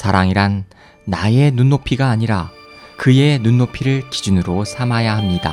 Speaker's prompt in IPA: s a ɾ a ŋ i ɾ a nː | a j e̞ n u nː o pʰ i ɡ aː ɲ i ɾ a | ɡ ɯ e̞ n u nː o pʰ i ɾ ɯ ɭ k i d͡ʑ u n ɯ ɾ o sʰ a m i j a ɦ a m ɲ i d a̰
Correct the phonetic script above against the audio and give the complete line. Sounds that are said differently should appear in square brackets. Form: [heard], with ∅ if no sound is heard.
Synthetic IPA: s a ɾ a ŋ i ɾ a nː | a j e̞ n u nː o pʰ i ɡ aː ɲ i ɾ a | [k] ɯ e̞ n u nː o pʰ i ɾ ɯ ɭ k i d͡ʑ u n ɯ ɾ o sʰ a m [a] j a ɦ a m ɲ i d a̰